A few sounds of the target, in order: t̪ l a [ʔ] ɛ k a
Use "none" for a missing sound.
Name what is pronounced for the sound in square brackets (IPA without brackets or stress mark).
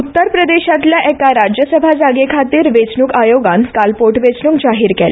ʔ